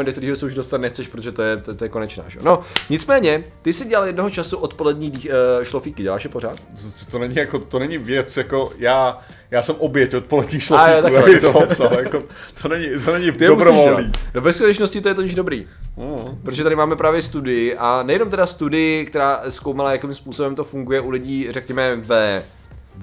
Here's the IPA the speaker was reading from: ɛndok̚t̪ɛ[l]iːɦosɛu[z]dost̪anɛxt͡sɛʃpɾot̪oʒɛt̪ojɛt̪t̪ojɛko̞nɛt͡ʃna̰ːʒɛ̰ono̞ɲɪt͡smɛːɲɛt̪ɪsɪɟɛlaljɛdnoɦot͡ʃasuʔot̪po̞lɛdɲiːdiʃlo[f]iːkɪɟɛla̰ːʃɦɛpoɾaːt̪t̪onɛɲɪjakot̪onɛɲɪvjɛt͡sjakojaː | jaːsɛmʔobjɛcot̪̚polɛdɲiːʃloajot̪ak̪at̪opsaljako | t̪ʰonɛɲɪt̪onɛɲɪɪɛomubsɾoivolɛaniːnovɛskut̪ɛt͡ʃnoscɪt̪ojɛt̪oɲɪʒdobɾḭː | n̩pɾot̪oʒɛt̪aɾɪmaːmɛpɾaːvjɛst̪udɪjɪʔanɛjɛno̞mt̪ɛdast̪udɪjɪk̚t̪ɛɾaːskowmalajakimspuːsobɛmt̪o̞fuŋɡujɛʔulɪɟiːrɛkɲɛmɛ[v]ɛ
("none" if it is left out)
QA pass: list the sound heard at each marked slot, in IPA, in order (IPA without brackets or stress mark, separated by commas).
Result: ɾ, ʒ, f, v